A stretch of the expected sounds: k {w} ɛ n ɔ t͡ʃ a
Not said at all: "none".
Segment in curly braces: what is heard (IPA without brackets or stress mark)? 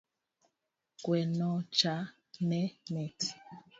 w